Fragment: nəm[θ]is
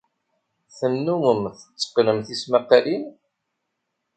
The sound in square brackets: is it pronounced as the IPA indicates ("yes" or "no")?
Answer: yes